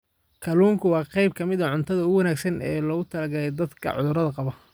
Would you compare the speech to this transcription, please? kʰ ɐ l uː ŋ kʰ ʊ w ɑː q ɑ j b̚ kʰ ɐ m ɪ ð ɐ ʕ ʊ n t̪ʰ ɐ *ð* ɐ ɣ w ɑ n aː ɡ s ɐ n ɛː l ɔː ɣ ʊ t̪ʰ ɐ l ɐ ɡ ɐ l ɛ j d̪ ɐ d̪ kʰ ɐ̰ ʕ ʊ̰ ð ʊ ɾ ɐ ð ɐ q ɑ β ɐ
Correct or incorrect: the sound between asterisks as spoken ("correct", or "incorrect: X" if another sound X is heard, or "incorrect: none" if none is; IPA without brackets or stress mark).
correct